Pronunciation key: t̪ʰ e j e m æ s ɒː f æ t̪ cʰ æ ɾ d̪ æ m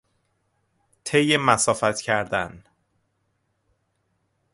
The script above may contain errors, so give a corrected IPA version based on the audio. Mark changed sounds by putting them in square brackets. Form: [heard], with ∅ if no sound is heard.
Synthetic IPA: t̪ʰ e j e m æ s ɒː f æ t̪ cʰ æ ɾ d̪ æ [n]

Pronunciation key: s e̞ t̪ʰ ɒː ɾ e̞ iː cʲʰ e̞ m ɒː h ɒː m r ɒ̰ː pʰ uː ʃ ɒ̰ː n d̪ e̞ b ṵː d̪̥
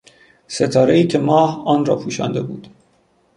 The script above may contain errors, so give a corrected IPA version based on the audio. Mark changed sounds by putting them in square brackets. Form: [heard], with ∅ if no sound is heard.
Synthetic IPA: s e̞ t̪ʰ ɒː ɾ e̞ iː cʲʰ e̞ m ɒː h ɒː [n] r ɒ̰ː pʰ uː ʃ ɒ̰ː n d̪ e̞ b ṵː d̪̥

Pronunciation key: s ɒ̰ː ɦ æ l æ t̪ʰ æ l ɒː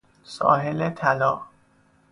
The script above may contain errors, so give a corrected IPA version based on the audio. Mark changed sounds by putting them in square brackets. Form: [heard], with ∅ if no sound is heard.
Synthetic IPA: s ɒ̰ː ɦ [e] l [e] t̪ʰ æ l ɒː

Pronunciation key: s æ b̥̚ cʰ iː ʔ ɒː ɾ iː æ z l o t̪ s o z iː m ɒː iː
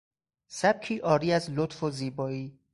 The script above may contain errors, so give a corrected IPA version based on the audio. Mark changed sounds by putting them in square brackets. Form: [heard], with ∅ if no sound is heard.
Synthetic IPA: s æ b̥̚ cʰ iː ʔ ɒː ɾ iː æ z l o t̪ [f] o z iː [b] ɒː iː

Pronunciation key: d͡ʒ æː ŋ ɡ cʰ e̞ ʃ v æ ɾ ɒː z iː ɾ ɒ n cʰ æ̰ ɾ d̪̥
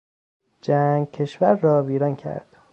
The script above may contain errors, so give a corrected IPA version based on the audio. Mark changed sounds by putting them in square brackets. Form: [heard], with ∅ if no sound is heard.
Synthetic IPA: d͡ʒ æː ŋ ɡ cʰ e̞ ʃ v æ [ɾː] ɒː [v] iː ɾ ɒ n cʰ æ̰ ɾ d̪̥

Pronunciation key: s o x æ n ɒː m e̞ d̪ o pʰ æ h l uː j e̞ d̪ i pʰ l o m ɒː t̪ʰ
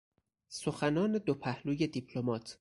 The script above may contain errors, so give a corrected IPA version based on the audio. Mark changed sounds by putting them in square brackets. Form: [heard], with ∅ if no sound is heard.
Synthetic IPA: s o x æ n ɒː [n] e̞ d̪ o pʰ æ h l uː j e̞ d̪ i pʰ l o m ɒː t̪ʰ

